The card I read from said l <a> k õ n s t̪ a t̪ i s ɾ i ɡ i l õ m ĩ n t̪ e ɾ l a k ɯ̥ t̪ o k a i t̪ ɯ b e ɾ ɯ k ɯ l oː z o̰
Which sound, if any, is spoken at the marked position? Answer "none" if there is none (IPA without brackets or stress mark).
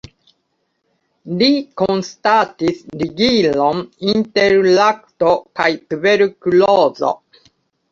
i